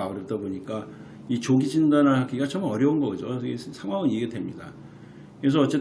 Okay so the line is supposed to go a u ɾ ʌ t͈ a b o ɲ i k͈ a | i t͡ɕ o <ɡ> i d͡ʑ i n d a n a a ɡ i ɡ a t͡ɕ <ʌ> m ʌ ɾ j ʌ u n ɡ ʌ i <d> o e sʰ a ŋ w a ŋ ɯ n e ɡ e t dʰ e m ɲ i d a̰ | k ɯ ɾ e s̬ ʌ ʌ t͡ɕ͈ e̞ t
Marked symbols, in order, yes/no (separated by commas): yes, yes, no